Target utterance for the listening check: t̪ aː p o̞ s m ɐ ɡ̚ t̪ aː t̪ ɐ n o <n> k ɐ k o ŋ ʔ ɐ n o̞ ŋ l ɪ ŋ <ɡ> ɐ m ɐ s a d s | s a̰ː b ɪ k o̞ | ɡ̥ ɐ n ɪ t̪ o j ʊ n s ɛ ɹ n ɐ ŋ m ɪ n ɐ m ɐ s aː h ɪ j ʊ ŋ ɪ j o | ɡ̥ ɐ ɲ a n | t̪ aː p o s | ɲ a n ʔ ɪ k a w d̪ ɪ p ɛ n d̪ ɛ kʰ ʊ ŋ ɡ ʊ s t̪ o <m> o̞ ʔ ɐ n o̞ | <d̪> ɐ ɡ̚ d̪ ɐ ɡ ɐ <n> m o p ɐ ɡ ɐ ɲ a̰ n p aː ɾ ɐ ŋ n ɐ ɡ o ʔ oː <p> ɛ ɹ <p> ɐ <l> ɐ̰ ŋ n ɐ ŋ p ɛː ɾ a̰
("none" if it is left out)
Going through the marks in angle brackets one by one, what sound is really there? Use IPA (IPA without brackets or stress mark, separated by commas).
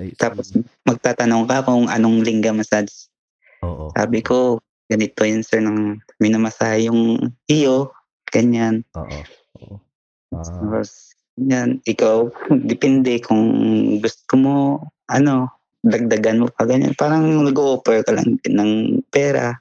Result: ŋ, ɡ, m, d̪, n, p, k, l